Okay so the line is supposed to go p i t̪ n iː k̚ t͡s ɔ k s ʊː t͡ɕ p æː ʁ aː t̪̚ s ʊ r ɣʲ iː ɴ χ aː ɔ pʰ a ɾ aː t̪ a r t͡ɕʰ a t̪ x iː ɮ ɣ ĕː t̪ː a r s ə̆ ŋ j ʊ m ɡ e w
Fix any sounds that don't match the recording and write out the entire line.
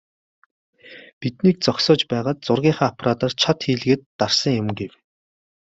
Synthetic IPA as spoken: p i t̪ n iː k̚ t͡s ɔ k s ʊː t͡ɕ p æː ʁ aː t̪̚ t͡s ʊ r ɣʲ iː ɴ χ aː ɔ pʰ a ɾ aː t̪ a r t͡ɕʰ a t̪ x iː ɮ ɣ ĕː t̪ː a r s ə̆ ŋ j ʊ m ɡ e w